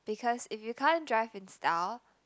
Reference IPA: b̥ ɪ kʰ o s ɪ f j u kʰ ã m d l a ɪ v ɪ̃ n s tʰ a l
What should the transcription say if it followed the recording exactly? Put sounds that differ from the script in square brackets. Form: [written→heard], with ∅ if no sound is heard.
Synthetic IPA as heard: b̥ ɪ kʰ [o→ɔ] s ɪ f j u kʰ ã [m→n] d [l→ɹ] a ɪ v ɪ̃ n s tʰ a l